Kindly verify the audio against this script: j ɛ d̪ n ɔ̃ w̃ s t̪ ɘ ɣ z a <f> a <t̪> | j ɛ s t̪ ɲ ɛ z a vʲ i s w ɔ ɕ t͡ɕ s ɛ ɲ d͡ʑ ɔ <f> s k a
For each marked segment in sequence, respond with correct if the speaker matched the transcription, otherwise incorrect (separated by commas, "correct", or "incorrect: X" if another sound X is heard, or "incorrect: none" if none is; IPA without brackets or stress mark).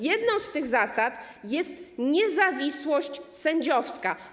incorrect: s, correct, correct